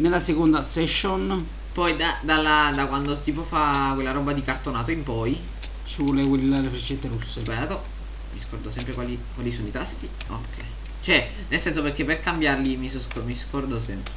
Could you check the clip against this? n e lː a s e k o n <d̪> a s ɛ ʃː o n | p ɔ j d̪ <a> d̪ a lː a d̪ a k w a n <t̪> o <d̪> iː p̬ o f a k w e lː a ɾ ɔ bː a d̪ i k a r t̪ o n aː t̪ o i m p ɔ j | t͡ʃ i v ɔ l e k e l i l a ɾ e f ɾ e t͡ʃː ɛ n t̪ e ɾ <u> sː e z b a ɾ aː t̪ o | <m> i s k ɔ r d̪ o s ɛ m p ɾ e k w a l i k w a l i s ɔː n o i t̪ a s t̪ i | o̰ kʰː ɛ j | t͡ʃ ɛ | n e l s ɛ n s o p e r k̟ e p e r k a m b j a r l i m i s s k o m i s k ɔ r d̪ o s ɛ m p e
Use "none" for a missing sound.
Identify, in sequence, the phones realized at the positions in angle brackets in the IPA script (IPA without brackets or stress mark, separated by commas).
d̪, a, d̪, t̪, u, m